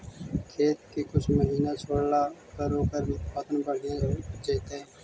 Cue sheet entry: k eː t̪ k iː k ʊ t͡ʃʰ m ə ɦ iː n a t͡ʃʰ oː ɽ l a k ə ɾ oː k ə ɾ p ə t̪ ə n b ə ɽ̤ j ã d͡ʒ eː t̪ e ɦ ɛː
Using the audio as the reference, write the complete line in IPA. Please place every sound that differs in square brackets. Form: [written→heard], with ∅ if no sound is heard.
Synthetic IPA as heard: [k→kʰ] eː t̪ k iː k ʊ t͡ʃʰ m ə ɦ iː n a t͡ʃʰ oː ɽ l a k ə ɾ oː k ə ɾ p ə t̪ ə n b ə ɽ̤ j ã d͡ʒ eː t̪ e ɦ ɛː